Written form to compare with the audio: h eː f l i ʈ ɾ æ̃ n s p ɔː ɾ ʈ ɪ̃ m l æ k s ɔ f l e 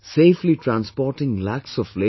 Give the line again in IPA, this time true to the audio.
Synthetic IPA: s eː f l i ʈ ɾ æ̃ n s p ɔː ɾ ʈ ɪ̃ ŋ l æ k s ɔ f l e

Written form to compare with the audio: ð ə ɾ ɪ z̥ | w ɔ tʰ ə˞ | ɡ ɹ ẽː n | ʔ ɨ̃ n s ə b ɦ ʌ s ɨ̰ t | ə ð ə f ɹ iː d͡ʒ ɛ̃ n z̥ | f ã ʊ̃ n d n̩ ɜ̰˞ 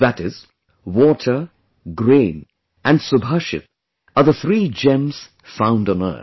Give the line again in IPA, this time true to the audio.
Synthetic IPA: ð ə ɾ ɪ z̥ | w ɔ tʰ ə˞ | ɡ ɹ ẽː n | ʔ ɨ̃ n s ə b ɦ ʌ ʃ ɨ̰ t | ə ð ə θ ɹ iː d͡ʒ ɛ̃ m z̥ | f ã ʊ̃ n d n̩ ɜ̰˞

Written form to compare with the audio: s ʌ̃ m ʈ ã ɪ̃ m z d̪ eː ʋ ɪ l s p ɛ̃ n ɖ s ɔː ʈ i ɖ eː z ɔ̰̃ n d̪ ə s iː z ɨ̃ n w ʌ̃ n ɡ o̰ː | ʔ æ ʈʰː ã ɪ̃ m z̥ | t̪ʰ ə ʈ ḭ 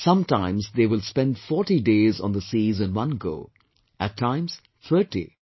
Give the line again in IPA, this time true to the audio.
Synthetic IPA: s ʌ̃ m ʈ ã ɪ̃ m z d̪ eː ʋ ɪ l s p ɛ̃ n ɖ f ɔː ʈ i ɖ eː z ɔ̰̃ n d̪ ə s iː z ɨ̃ n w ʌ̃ n ɡ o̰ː | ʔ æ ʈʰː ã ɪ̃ m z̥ | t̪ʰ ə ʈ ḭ

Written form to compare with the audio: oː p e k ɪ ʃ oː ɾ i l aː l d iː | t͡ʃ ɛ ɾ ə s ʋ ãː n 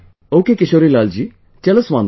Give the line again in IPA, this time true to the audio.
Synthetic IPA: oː k e k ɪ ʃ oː ɾ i l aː l d͡ʒ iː | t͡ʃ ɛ l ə s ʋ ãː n

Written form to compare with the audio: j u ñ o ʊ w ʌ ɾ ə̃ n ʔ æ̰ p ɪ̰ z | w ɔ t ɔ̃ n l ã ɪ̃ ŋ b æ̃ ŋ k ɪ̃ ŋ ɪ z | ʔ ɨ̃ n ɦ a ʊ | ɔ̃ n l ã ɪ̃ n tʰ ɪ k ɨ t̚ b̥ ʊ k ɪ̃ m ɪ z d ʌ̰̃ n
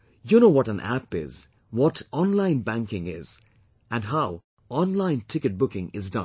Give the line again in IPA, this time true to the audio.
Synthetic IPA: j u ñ o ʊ w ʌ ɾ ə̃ n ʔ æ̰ p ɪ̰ z | w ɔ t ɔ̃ n l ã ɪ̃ n b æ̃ ŋ k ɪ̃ ŋ ɪ z | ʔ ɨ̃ n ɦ a ʊ | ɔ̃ n l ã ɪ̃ n tʰ ɪ k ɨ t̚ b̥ ʊ k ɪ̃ ŋ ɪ z d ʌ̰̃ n

